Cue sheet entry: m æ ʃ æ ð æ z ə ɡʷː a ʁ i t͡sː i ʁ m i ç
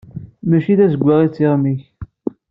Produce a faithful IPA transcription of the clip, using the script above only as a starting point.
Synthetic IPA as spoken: m æ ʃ i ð æ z ə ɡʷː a ʁ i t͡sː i ʁ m i ç